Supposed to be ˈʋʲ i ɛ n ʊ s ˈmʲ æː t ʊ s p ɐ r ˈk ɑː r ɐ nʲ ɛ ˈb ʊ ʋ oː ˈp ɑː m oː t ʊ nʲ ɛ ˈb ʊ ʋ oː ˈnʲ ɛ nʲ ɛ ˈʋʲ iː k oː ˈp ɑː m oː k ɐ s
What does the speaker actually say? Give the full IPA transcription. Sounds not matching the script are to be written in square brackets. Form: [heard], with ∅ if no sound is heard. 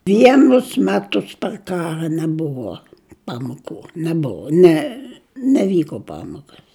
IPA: ˈʋʲ i ɛ n ʊ s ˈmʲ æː t ʊ s p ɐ r ˈk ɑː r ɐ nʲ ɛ ˈb ʊ ʋ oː ˈp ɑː m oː [k] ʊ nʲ ɛ ˈb ʊ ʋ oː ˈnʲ ɛ nʲ ɛ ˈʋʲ iː k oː ˈp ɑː m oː k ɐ s